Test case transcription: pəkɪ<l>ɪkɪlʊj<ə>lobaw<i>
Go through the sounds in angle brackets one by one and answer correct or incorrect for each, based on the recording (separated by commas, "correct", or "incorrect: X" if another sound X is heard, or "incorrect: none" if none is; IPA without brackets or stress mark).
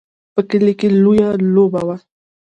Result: correct, incorrect: a, incorrect: a